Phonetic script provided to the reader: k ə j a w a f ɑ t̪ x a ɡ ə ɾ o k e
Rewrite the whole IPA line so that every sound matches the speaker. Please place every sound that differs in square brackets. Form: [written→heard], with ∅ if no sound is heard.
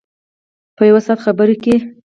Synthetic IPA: [k→p] ə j a w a [f→s] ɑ t̪ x a [ɡ→b] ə ɾ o k e